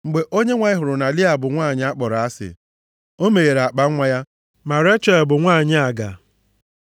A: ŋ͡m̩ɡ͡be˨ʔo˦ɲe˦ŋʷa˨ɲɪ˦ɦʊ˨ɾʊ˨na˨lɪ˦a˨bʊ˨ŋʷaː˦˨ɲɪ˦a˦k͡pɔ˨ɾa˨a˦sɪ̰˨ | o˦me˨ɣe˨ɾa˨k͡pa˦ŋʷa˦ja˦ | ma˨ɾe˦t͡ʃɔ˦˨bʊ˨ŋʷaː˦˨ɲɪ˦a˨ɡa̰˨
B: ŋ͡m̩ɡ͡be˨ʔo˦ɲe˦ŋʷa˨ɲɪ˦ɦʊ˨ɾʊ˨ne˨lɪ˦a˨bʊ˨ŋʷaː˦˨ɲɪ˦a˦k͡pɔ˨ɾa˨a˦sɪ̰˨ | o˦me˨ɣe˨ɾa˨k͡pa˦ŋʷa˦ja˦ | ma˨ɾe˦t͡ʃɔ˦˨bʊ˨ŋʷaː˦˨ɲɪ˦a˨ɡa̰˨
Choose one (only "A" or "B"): A